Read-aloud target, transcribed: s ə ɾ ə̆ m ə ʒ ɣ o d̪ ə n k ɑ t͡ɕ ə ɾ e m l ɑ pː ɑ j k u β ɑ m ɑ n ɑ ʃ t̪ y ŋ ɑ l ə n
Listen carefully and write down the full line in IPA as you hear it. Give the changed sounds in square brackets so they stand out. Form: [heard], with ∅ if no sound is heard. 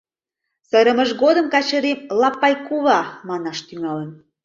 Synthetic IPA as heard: s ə ɾ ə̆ m ə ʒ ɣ o d̪ ə [m] k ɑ t͡ɕ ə ɾ e m l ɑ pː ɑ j k u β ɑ m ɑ n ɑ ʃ t̪ y ŋ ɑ l ə n